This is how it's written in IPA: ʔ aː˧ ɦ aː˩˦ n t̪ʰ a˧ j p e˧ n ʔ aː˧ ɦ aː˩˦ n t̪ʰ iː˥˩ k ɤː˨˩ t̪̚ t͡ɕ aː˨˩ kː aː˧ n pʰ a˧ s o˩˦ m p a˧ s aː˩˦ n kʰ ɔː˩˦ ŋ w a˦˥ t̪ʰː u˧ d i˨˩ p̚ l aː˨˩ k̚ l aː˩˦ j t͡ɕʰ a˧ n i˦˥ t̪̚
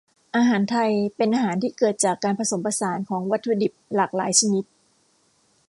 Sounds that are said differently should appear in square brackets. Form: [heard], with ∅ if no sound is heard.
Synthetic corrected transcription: ʔ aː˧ ɦ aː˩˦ n t̪ʰ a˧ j p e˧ n ʔ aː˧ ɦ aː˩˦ n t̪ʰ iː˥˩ k ɤː˨˩ t̪̚ t͡ɕ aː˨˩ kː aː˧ n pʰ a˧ s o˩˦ m p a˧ s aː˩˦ n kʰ ɔː˩˦ ŋ w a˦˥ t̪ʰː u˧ d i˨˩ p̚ l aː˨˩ k̚ l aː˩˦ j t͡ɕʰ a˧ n i˦˥ t̪̚